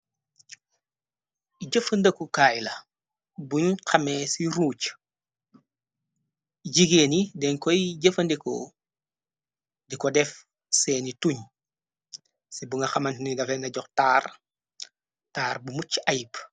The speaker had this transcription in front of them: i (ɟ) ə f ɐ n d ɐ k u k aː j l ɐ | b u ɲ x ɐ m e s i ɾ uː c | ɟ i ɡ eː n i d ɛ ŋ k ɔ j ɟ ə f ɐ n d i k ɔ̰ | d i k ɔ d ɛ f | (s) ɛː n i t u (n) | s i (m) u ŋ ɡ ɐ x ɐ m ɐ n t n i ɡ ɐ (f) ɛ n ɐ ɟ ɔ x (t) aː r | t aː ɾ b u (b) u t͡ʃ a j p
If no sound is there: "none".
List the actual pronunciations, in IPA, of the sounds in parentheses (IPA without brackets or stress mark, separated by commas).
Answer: ɟ, s, ɲ, b, f, t, m